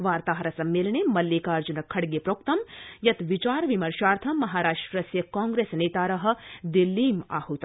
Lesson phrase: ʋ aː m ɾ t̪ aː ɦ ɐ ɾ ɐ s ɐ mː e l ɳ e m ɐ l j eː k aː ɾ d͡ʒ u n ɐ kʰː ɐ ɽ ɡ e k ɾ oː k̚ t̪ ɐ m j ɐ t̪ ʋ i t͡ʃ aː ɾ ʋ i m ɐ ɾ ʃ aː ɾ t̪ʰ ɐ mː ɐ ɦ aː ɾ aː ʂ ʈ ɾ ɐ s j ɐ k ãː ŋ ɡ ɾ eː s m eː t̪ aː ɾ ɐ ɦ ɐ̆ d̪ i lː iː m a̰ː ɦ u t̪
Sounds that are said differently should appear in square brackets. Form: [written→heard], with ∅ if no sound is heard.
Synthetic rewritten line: ʋ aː [m→∅] ɾ t̪ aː ɦ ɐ ɾ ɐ s ɐ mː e l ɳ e m ɐ l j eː k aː ɾ d͡ʒ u n ɐ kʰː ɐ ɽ ɡ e [k→p] ɾ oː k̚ t̪ ɐ m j ɐ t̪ ʋ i t͡ʃ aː ɾ ʋ i m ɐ ɾ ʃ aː ɾ t̪ʰ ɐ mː ɐ ɦ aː ɾ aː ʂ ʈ ɾ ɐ s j ɐ k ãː ŋ ɡ ɾ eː s [m→n] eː t̪ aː ɾ ɐ ɦ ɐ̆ d̪ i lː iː m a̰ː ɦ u t̪